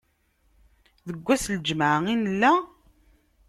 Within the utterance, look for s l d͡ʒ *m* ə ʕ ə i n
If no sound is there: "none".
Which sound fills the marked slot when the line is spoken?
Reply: m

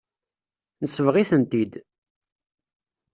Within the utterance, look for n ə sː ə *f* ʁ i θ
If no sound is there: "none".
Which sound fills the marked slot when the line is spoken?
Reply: v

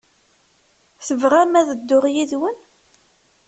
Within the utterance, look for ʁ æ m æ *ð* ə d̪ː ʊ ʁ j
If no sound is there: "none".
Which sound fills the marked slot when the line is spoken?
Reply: ð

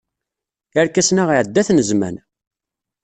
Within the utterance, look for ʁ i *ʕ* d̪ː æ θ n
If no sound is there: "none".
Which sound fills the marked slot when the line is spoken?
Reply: ʕ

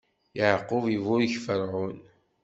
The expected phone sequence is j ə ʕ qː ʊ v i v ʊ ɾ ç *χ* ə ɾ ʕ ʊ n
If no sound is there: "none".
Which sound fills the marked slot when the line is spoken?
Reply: f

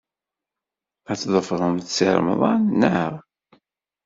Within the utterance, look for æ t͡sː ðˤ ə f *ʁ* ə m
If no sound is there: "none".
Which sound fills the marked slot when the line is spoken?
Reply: ʁ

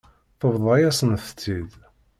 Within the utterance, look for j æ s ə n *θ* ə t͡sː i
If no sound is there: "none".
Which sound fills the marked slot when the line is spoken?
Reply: θ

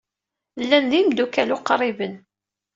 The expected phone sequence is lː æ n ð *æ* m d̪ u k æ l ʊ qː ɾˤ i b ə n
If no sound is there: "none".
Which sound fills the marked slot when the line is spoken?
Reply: i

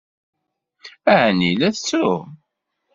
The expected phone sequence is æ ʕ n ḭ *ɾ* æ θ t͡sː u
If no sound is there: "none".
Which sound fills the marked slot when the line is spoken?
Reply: l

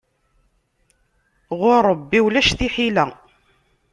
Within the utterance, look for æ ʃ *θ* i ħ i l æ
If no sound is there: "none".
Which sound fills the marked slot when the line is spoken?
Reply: θ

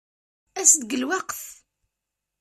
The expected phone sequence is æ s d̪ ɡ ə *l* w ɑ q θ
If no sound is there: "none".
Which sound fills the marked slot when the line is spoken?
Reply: l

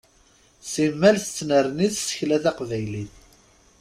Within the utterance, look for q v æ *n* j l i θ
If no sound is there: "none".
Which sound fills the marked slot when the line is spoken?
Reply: none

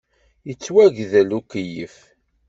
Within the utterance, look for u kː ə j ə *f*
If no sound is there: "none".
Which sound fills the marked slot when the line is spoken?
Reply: f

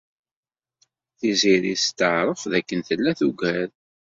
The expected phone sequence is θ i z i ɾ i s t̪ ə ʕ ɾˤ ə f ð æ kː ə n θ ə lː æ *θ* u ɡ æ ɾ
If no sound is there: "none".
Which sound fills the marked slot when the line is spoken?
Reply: θ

